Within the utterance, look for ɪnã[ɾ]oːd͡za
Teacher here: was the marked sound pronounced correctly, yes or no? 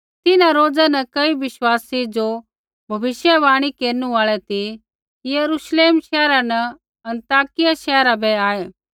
yes